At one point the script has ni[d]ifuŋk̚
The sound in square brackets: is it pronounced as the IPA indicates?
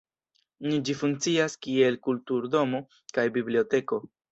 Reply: no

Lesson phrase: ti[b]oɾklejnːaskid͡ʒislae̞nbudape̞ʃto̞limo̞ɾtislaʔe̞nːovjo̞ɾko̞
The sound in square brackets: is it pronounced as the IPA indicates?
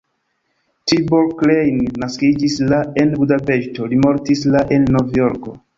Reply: yes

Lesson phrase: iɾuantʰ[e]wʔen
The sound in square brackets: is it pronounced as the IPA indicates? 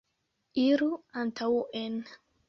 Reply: no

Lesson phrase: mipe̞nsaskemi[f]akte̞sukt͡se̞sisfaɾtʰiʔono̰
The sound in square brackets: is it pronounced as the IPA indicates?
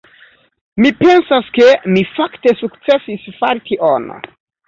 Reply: yes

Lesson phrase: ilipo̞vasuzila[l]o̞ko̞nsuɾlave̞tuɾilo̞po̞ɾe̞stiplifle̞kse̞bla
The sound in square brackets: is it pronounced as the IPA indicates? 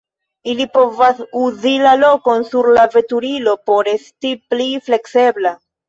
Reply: yes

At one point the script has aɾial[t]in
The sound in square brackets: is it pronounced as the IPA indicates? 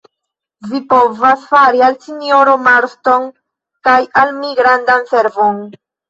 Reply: no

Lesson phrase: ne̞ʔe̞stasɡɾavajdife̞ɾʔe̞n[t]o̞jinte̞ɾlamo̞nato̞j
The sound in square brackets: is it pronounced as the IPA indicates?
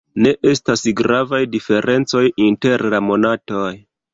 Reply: no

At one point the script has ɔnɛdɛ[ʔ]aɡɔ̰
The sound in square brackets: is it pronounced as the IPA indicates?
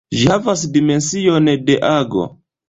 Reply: yes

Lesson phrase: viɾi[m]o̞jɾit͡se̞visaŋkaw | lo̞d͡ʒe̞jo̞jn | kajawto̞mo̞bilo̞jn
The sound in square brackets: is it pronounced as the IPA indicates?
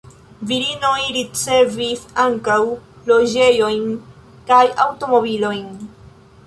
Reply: no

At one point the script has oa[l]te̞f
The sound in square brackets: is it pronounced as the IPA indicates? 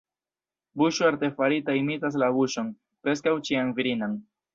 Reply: no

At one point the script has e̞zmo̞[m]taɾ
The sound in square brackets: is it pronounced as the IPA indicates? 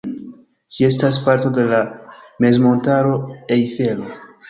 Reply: no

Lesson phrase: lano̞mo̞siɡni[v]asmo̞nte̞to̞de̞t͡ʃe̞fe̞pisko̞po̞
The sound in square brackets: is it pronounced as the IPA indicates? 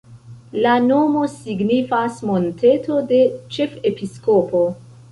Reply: no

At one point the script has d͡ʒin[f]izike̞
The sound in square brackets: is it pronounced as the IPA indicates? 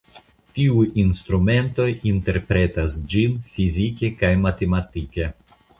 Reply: yes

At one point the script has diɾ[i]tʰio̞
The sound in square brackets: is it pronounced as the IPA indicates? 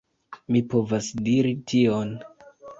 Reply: yes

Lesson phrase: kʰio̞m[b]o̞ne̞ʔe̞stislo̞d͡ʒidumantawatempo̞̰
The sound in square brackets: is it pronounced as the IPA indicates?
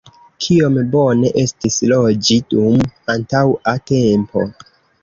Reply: yes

